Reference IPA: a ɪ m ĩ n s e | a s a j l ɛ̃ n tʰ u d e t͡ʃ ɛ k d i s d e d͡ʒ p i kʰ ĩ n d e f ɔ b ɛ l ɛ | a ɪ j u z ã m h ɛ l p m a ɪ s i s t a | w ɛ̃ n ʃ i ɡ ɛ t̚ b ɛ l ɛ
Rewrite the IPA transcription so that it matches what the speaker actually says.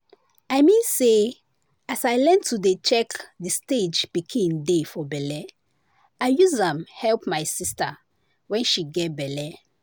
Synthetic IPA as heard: a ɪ m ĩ n s e | a s a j l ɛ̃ n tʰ u d e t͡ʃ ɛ k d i s t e d͡ʒ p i kʰ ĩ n d e f ɔ b ɛ l ɛ | a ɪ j u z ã m h ɛ l p m a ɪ s i s t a | w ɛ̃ n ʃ i ɡ ɛ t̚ b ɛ l ɛ